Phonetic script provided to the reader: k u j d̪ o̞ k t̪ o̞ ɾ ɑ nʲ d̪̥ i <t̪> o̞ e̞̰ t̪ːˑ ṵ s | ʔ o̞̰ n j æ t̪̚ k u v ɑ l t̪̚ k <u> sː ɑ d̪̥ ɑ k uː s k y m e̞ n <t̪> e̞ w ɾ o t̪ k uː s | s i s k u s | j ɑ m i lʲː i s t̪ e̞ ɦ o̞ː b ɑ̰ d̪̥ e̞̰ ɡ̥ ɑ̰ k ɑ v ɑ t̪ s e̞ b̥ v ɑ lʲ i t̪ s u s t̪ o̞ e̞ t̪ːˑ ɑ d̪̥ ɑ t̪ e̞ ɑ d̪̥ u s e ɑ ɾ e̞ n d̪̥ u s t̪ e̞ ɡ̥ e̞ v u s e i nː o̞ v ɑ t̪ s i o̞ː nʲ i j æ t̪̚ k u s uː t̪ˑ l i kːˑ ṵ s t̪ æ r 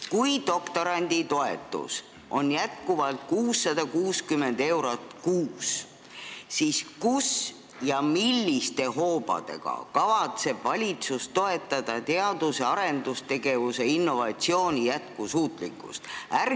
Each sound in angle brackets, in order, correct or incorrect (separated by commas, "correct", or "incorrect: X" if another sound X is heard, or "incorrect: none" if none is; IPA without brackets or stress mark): correct, incorrect: uː, incorrect: d̪